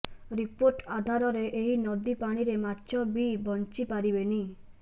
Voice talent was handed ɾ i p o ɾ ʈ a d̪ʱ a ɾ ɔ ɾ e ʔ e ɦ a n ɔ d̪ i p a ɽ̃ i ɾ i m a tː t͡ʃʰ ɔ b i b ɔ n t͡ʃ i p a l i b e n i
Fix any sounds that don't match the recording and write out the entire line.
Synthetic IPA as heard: ɾ i p o ɾ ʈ a d̪ʱ a ɾ ɔ ɾ e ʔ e ɦ i n ɔ d̪ i p a ɽ̃ i ɾ e m a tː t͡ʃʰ ɔ b i b ɔ n t͡ʃ i p a ɾ i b e n i